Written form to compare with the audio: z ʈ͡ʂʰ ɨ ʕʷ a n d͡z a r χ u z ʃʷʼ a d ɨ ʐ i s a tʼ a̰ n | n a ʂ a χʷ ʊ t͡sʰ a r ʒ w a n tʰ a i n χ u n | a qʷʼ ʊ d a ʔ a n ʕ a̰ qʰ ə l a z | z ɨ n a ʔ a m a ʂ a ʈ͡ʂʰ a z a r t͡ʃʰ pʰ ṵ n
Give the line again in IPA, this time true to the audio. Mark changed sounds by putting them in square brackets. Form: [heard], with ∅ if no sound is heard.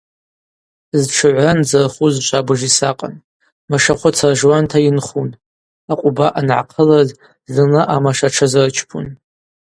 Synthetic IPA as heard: z ʈ͡ʂʰ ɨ ʕʷ a n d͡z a r χ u z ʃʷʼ a [b] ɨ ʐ i s a [qʼ] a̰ n | [m] a ʂ a χʷ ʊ t͡sʰ a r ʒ w a n tʰ a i n χ u n | a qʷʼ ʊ [b] a ʔ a n ʕ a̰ qʰ ə l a z | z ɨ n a ʔ a m a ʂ a ʈ͡ʂʰ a z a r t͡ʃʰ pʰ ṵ n